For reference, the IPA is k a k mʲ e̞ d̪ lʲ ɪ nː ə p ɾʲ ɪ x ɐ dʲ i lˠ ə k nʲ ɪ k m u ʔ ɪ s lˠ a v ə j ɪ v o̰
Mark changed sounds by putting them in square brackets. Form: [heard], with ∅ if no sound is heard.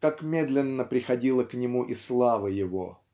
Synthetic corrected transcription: k a k mʲ e̞ d̪ lʲ ɪ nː ə p ɾʲ ɪ x ɐ dʲ i lˠ ə k nʲ ɪ [∅] m u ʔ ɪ s lˠ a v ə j ɪ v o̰